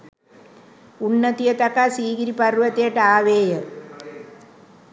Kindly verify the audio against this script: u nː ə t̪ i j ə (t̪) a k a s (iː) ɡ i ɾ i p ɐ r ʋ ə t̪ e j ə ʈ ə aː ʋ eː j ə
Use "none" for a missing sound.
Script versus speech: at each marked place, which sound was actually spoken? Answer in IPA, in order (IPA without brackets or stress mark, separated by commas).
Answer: t̪, iː